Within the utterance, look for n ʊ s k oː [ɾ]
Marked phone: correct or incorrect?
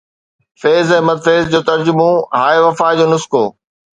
incorrect